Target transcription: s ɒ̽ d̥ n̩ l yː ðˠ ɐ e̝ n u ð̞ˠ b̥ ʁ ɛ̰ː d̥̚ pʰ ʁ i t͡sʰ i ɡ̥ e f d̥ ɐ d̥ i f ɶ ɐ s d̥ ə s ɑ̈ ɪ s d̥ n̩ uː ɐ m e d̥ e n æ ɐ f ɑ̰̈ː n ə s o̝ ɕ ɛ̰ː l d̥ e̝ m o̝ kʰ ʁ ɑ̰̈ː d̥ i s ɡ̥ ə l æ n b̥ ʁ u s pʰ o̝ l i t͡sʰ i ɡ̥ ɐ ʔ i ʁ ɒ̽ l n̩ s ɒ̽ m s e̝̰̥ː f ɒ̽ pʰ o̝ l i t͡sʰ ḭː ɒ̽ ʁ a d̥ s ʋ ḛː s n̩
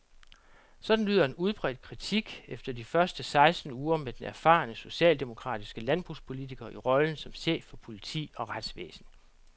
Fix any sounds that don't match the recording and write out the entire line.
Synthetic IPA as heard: s ɒ̽ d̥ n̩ l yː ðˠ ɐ e̝ n u ð̞ˠ b̥ ʁ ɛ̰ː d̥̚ kʰ ʁ i t͡sʰ i ɡ̥ e f d̥ ɐ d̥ i f ɶ ɐ s d̥ ə s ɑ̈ ɪ s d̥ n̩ uː ɐ m e d̥ e n æ ɐ f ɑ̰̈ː n ə s o̝ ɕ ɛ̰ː l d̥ e̝ m o̝ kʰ ʁ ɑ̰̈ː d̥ i s ɡ̥ ə l æ n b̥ ʁ u s pʰ o̝ l i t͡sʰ i ɡ̥ ɐ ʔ i ʁ ɒ̽ l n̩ s ɒ̽ m s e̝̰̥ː f ɒ̽ pʰ o̝ l i t͡sʰ ḭː ɒ̽ ʁ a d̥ s ʋ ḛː s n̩